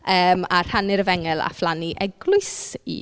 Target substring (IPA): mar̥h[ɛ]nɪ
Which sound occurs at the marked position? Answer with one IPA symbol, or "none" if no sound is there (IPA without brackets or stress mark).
a